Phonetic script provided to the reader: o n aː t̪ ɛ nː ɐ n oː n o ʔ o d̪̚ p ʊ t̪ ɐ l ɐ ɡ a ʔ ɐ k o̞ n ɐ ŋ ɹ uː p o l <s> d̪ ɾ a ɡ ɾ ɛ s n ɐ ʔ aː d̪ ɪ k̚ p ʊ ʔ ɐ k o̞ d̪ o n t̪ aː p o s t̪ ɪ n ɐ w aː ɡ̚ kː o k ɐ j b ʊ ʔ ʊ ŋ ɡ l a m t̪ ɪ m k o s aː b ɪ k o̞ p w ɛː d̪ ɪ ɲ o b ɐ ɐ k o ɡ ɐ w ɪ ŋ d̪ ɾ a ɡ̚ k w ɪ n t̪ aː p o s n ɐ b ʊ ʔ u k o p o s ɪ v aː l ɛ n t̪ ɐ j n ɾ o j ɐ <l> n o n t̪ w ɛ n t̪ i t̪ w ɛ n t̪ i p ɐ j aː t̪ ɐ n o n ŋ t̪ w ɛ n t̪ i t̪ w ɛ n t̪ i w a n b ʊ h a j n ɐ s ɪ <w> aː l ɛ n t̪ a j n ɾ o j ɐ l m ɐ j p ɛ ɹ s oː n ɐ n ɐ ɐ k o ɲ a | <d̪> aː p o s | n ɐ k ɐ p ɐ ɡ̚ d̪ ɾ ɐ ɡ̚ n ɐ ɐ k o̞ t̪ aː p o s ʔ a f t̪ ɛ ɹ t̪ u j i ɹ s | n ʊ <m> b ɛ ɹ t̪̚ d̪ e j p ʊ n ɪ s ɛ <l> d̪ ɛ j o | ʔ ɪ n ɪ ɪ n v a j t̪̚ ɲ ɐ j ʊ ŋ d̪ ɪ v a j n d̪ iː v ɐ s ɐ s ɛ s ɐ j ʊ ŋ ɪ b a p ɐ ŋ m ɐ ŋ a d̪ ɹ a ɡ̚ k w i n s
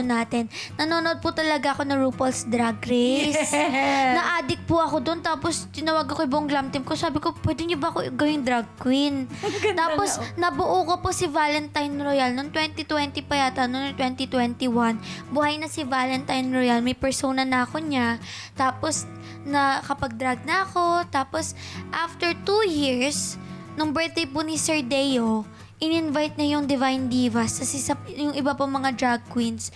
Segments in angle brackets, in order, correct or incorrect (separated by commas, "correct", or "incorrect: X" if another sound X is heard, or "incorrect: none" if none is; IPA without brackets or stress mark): correct, correct, incorrect: v, incorrect: t̪, incorrect: ŋ, incorrect: ɹ